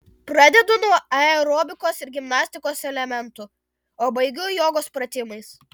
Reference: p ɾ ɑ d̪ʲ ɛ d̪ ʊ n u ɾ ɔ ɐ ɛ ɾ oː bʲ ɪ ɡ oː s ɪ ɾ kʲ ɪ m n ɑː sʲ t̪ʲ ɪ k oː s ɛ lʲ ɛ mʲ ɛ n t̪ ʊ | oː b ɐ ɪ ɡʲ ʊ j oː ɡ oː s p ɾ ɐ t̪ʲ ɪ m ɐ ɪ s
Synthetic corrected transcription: p ɾ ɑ d̪ʲ ɛ d̪ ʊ n u ɔ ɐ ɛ ɾ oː bʲ ɪ k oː s ɪ ɾ ɡʲ ɪ m n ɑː sʲ t̪ʲ ɪ k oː s ɛ lʲ ɛ mʲ ɛ n t̪ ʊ | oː b ɐ ɪ ɡʲ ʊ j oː ɡ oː s p ɾ ɐ t̪ʲ ɪ m ɐ ɪ s